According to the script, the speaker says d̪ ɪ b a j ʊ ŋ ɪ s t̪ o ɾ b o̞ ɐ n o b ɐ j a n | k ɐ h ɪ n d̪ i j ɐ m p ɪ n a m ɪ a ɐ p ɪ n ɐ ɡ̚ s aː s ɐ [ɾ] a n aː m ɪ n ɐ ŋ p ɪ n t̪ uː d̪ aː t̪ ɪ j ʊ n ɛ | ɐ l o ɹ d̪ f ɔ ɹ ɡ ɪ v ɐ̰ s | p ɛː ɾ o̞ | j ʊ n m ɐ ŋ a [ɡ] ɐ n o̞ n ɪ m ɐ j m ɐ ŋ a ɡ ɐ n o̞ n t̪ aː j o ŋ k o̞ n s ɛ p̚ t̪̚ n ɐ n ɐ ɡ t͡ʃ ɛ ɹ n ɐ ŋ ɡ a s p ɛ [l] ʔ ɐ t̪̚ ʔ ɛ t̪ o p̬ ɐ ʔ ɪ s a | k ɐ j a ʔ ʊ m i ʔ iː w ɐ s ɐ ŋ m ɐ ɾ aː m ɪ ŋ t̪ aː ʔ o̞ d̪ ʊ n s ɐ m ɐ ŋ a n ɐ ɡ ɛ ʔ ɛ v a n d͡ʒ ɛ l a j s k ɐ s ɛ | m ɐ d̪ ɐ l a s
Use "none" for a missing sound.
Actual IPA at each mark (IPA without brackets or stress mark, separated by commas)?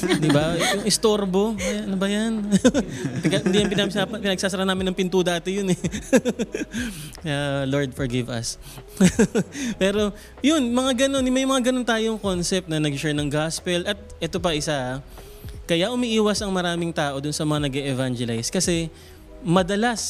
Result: ɾ, ɡ, l